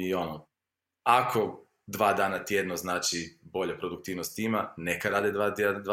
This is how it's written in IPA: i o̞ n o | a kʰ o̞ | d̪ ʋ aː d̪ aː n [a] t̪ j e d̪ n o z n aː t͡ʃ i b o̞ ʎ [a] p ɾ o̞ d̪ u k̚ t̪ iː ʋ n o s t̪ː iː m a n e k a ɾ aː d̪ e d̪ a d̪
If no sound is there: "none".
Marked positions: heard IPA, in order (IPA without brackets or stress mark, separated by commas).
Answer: a, a